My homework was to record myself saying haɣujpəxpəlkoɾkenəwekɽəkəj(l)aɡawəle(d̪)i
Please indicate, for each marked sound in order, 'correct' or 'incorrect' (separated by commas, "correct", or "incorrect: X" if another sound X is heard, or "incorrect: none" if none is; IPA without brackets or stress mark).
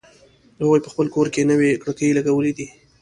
correct, correct